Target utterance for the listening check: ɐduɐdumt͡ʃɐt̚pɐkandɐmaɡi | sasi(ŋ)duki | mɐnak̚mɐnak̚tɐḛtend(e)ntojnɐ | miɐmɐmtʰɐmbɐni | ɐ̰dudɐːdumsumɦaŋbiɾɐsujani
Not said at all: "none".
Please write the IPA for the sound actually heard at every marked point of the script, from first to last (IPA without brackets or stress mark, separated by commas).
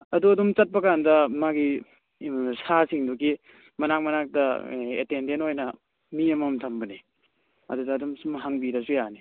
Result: ŋ, e